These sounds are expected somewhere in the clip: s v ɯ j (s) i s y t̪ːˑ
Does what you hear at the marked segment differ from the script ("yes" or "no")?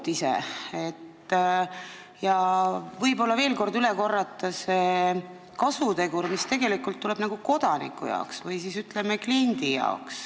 no